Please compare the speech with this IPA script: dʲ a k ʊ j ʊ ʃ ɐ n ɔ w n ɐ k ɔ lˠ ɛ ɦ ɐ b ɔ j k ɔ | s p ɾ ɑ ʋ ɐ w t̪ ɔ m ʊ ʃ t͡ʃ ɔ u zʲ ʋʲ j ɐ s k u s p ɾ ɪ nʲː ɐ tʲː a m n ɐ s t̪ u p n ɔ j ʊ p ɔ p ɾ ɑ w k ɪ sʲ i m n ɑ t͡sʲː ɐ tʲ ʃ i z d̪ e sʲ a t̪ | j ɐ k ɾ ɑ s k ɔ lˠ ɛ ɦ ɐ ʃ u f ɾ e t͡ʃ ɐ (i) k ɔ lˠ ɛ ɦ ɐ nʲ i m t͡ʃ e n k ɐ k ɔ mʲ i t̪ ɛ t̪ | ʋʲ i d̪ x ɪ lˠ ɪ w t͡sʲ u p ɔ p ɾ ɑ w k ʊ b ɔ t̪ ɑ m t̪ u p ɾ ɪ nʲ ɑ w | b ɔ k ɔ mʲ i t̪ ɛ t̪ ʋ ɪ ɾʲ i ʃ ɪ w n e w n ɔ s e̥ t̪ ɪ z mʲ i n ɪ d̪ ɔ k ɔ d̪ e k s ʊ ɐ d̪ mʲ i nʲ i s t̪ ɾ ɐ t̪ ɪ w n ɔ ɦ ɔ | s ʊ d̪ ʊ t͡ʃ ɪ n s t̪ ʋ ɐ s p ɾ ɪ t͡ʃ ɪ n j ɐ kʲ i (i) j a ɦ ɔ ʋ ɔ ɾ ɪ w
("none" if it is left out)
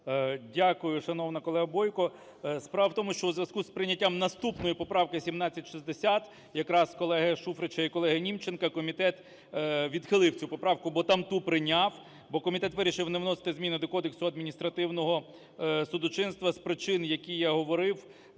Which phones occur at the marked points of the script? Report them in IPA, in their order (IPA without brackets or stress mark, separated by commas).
i, j